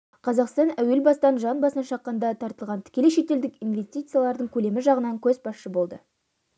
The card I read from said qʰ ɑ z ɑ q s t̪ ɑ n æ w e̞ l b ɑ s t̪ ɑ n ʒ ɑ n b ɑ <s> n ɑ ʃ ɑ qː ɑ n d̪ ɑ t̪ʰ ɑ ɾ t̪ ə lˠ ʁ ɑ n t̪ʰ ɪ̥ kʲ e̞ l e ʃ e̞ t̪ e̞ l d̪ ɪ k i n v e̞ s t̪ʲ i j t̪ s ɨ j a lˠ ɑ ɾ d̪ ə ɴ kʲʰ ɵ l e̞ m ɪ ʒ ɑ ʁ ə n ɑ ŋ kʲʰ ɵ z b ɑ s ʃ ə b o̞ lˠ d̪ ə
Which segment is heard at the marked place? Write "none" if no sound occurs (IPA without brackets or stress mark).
s